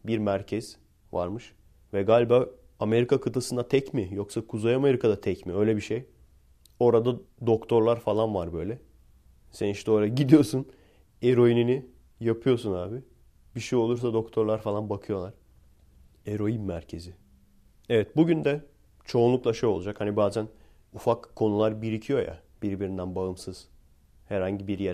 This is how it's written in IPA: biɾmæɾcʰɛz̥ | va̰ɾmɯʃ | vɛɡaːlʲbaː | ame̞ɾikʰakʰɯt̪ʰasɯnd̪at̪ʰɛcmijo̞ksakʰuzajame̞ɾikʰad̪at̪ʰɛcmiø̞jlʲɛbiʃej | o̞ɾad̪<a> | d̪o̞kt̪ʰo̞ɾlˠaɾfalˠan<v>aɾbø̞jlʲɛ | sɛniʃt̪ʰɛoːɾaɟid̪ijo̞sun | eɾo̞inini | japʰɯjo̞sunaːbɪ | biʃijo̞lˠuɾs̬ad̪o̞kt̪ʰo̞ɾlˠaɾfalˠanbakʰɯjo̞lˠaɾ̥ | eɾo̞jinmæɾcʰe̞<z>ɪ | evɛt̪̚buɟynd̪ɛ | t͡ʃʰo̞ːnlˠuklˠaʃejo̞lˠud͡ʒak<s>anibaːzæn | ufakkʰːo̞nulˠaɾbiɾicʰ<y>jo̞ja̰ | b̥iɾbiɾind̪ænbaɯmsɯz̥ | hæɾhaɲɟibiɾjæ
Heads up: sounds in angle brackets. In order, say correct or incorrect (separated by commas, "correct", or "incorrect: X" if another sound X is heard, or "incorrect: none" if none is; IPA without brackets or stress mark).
correct, correct, correct, incorrect: h, incorrect: i